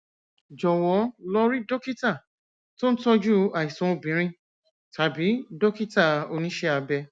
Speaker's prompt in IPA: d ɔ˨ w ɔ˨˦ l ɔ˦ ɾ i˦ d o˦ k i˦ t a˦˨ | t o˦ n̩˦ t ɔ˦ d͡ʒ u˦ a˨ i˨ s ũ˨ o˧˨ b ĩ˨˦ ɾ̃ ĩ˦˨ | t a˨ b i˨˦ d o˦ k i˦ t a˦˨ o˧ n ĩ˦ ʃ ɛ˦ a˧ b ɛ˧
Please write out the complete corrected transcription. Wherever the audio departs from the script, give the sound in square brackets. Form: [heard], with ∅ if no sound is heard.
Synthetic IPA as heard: [d͡ʒ] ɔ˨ w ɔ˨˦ l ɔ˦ ɾ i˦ d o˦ k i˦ t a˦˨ | t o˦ n̩˦ t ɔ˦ d͡ʒ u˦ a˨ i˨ s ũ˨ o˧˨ b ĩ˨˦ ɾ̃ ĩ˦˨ | t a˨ b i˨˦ d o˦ k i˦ t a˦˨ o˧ n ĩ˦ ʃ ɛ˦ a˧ b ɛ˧